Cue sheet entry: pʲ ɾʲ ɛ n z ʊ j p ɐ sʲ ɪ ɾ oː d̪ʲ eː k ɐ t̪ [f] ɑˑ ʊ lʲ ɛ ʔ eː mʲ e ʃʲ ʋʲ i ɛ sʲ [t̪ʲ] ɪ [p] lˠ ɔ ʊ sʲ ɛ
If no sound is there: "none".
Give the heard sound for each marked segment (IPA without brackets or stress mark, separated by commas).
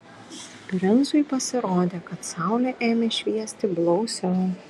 s, t̪ʲ, b